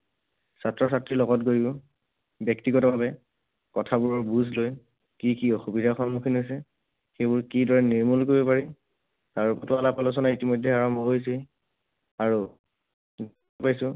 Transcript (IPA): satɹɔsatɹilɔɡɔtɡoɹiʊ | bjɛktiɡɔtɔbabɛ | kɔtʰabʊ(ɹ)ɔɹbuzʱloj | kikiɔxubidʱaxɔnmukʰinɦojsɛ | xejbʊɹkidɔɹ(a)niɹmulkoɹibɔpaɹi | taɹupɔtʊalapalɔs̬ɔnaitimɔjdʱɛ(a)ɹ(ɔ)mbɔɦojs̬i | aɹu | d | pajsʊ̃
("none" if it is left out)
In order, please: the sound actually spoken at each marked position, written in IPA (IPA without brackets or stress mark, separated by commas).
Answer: ɹ, ɛ, a, ɔ